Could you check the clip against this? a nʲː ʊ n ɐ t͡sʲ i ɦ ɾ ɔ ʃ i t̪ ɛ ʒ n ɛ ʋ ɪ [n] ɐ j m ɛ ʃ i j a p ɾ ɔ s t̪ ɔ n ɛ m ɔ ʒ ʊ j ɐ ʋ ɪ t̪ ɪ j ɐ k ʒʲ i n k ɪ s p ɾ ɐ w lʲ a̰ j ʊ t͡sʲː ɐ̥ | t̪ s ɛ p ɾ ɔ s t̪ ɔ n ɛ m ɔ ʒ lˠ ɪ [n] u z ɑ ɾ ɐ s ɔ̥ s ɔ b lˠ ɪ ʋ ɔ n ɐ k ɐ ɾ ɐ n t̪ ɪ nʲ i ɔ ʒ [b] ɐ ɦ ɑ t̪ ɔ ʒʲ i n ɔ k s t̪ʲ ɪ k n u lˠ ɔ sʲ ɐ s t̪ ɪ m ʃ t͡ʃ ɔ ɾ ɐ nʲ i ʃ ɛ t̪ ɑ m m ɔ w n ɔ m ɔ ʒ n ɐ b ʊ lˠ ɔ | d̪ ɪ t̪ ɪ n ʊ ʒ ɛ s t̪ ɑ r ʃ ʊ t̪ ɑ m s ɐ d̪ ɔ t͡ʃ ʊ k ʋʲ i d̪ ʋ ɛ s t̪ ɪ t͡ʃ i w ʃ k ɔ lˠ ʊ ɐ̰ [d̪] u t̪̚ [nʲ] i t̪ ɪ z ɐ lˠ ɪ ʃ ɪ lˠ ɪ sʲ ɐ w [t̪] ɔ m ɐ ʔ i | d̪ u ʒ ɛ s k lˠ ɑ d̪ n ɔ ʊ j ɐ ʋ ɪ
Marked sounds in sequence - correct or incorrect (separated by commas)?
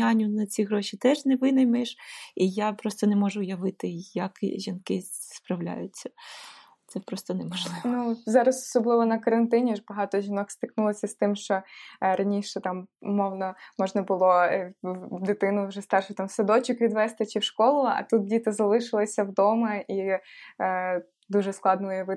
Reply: correct, correct, correct, incorrect, incorrect, incorrect